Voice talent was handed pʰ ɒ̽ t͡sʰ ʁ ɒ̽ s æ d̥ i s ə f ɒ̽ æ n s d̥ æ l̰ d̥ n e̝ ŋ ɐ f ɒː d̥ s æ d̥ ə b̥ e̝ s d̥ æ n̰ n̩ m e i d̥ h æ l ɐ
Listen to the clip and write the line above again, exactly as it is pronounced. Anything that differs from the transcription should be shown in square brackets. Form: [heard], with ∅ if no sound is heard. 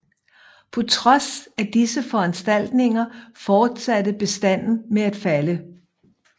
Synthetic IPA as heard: pʰ ɒ̽ t͡sʰ ʁ ɒ̽ s æ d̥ i s ə f ɒ̽ æ n s d̥ æ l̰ d̥ n e̝ ŋ ɐ f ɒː d̥ s æ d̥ ə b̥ e̝ s d̥ æ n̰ n̩ m e [æ] d̥ [f] æ l [ə]

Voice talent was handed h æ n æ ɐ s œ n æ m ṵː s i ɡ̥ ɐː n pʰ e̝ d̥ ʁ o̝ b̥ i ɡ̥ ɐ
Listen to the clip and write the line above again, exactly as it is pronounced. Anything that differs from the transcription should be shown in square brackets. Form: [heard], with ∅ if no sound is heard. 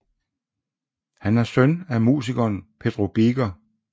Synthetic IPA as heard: h æ n æ ɐ s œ n æ m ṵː s i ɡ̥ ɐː n pʰ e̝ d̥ ʁ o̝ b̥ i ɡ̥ ɐ

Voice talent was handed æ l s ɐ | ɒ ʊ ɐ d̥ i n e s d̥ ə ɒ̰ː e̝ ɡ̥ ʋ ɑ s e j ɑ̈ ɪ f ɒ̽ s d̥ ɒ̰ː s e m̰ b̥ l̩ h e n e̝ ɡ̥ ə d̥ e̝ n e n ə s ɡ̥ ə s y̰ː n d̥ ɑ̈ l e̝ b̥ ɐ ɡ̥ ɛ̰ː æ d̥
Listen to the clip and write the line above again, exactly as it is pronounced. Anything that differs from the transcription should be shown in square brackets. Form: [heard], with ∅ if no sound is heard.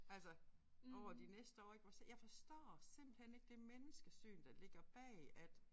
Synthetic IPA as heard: æ l s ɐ | ɒ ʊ ɐ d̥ i n e s d̥ ə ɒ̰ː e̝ ɡ̥ ʋ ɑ s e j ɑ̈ ɪ f ɒ̽ s d̥ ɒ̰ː s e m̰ b̥ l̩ h e n e̝ ɡ̥ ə d̥ e̝ [m] e n ə s ɡ̥ ə s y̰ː n d̥ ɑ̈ l e̝ [ɡ̥] ɐ [b̥] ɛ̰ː æ d̥

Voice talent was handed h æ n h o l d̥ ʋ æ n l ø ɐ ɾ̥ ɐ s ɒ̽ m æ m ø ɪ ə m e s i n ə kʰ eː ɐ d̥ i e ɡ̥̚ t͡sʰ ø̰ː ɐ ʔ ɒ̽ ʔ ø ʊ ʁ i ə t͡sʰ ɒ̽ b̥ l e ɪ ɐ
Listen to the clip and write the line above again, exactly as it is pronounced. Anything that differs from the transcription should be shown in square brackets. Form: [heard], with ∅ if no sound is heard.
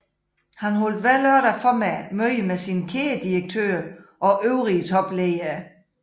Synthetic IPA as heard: h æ n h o l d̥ ʋ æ [∅] l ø ɐ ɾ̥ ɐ [f] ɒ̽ m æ m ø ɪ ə m e s i n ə kʰ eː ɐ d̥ i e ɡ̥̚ t͡sʰ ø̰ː ɐ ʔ ɒ̽ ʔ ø ʊ ʁ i ə t͡sʰ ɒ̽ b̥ l e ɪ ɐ

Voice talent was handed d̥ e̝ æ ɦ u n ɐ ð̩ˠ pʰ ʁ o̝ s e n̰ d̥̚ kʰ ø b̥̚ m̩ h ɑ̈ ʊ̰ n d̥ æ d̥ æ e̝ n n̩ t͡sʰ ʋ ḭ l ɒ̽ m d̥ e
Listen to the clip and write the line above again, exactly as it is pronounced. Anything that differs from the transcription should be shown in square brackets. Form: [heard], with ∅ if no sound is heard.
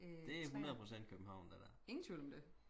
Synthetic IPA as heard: d̥ e̝ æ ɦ u n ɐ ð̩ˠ pʰ ʁ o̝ s e n̰ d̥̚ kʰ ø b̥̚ m̩ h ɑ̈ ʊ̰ n d̥ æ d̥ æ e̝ [ŋ] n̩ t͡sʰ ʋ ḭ l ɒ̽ m d̥ e

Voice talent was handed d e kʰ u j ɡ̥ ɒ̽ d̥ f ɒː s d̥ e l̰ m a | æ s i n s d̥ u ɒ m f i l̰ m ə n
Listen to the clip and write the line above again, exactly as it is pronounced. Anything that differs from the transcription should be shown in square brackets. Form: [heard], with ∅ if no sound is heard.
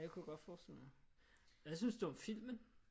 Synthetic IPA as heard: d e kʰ u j ɡ̥ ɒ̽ d̥ f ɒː s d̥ e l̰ m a | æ s [y] n s d̥ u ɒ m f i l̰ m ə n

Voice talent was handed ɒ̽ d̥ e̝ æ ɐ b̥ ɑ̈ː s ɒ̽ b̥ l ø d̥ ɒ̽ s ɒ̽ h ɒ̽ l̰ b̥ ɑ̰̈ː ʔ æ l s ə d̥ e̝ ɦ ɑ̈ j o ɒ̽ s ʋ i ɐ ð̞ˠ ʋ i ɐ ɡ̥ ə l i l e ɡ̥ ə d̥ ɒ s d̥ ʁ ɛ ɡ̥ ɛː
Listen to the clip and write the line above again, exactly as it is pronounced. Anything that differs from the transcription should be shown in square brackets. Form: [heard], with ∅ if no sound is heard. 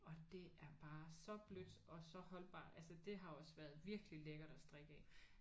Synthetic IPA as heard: ɒ̽ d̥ e̝ æ ɐ b̥ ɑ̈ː s ɒ̽ b̥ l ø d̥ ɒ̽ s ɒ̽ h ɒ̽ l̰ b̥ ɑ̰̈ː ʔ æ l s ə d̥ e̝ ɦ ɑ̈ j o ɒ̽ s ʋ [æ] ɐ ð̞ˠ ʋ i ɐ ɡ̥ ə l i l e ɡ̥ [ɐ] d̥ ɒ s d̥ ʁ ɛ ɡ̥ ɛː

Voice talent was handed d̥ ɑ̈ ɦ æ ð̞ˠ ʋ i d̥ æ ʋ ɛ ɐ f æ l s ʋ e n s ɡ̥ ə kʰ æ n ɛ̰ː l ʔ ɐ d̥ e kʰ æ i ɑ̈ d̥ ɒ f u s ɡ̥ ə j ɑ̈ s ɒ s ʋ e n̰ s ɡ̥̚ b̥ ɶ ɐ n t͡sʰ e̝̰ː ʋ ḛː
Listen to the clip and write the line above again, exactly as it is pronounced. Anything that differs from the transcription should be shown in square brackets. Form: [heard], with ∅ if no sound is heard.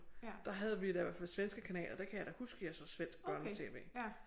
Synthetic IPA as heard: d̥ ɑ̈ ɦ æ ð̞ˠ ʋ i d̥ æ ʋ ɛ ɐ f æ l s ʋ e n s ɡ̥ ə kʰ æ n ɛ̰ː l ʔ ɐ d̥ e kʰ æ [j] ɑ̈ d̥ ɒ [h] u s ɡ̥ ə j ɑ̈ s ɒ s ʋ e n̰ s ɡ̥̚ b̥ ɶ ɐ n t͡sʰ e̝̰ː ʋ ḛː

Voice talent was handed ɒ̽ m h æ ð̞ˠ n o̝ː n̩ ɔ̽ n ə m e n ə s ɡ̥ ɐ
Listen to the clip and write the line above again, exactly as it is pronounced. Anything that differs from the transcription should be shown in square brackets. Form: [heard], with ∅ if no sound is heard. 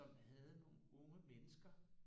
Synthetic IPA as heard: ɒ̽ m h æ ð̞ˠ n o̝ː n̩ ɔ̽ [ŋ] ə m e n ə s ɡ̥ ɐ

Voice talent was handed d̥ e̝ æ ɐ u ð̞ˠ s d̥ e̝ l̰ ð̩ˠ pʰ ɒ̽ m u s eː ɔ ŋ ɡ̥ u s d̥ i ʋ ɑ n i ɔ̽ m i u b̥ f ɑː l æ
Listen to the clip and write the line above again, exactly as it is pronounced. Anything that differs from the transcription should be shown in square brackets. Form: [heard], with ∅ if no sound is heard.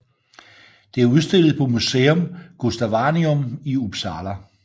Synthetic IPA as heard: d̥ e̝ æ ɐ u ð̞ˠ s d̥ e̝ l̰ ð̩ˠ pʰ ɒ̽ m u s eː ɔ [m] ɡ̥ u s d̥ [æ] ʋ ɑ n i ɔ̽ m i u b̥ [s] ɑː l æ

